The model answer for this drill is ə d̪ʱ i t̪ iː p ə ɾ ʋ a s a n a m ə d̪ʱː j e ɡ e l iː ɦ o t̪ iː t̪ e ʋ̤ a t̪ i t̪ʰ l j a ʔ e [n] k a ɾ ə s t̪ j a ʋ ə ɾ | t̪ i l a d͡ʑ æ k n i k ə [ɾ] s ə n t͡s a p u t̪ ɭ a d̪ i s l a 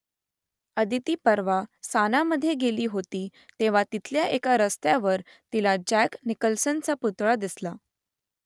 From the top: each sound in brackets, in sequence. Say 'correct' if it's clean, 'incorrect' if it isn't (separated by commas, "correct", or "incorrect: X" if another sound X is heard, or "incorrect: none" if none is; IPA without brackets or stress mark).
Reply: incorrect: none, incorrect: l